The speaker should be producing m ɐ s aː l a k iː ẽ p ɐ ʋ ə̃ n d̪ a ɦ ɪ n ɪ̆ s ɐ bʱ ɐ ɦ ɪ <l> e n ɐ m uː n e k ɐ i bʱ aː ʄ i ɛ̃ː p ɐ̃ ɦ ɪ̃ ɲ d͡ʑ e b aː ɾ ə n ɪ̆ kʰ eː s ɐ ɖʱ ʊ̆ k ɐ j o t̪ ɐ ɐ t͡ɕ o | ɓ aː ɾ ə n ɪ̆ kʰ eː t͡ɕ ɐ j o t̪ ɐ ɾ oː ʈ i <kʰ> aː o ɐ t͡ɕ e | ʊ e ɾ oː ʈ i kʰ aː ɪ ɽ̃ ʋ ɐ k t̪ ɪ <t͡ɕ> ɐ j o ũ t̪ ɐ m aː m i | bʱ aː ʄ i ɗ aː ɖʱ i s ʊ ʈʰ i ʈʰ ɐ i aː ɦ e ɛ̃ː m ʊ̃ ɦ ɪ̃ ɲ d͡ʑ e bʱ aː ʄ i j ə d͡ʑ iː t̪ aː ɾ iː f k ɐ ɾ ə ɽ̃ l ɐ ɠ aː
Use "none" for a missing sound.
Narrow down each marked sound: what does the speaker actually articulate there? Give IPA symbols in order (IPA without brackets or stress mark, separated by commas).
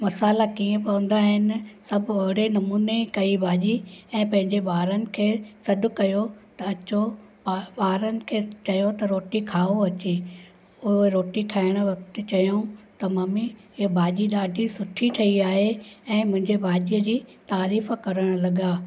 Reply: ɽ, kʰ, t͡ɕ